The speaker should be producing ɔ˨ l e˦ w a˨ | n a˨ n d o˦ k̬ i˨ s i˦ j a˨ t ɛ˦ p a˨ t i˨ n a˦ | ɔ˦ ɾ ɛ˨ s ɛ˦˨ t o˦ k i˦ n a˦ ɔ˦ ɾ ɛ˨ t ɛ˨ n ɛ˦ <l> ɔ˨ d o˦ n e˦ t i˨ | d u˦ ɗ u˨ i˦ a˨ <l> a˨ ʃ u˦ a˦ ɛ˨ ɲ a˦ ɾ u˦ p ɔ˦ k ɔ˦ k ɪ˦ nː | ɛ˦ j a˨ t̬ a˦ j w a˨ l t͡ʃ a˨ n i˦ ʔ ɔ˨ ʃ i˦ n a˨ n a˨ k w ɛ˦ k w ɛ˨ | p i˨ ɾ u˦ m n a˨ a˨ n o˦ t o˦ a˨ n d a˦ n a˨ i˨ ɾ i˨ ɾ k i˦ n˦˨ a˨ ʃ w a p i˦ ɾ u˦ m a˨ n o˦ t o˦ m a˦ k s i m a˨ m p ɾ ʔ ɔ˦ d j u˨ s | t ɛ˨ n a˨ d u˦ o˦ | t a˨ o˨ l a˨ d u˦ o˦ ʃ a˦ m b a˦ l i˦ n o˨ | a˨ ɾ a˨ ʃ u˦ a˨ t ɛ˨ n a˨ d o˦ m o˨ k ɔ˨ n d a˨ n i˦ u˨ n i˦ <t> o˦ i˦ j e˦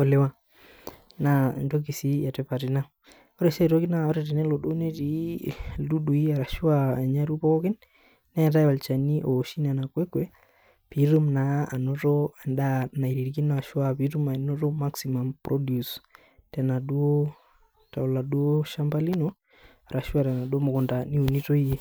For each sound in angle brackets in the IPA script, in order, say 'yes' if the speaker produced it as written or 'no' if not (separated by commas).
yes, no, yes